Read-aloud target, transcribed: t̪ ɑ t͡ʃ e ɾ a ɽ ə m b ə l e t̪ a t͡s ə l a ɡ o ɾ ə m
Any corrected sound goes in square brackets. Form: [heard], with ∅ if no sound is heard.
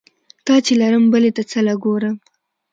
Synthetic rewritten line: t̪ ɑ t͡ʃ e [l] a [ɾ] ə m b ə l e t̪ a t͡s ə l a ɡ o ɾ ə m